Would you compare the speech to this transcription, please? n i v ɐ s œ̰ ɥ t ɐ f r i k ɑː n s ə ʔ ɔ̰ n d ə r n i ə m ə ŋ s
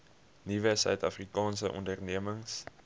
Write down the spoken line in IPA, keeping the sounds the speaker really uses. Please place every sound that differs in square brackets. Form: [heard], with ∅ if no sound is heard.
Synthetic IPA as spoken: n i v [ə] s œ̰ ɥ t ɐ f r i k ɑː n s ə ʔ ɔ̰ n d ə r n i ə m ə ŋ s